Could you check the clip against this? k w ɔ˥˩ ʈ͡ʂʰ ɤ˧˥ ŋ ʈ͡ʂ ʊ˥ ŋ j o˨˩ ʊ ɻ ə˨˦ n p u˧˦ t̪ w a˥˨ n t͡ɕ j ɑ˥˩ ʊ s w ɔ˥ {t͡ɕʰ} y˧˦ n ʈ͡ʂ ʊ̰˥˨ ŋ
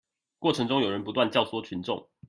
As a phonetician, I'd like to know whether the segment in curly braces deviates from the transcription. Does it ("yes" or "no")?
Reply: no